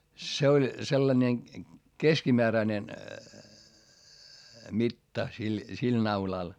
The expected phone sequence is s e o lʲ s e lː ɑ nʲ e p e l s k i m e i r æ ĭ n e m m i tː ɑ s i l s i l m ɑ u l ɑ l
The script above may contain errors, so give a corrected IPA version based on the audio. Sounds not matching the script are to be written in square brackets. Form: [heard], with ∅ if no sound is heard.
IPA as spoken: s e o lʲ s e lː ɑ nʲ e [k] e [∅] s k i m e [æ] r æ ĭ n e [n] m i tː ɑ s i l s i l [n] ɑ u l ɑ l